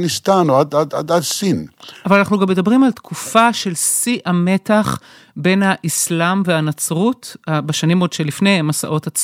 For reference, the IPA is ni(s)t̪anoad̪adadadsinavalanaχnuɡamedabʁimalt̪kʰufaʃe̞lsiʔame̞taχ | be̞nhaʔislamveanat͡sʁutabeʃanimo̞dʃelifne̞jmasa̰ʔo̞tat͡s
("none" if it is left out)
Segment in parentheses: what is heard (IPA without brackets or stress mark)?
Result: s